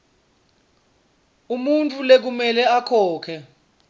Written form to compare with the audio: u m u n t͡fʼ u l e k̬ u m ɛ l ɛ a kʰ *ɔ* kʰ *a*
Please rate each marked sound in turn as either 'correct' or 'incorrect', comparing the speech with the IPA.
incorrect, incorrect

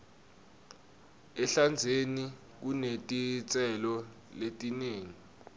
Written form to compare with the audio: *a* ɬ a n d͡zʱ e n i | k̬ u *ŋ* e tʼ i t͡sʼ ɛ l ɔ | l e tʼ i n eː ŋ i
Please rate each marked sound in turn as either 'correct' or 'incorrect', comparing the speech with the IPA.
incorrect, incorrect

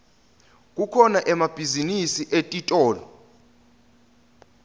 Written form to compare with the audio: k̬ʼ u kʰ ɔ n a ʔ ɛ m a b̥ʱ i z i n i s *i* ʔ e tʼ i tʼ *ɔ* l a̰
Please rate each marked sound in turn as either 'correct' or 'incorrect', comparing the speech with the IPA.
correct, incorrect

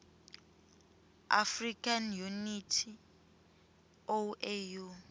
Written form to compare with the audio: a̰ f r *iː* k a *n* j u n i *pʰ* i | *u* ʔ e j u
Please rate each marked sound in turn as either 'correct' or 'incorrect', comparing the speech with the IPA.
incorrect, correct, incorrect, incorrect

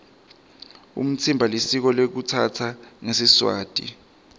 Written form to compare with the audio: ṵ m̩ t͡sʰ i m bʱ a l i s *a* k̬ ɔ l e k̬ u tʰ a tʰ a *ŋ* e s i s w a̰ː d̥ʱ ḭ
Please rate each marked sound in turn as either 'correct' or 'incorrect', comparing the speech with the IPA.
incorrect, correct

